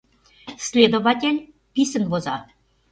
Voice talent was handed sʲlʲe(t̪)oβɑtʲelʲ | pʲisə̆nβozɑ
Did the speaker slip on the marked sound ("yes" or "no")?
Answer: yes